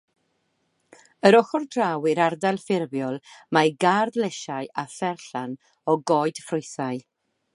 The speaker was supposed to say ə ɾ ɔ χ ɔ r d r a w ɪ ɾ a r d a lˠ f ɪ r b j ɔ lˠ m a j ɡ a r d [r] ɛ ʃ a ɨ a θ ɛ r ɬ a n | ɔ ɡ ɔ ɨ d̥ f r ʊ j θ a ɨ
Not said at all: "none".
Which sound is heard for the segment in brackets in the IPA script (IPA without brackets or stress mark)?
l